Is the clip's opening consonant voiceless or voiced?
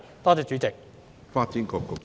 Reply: voiceless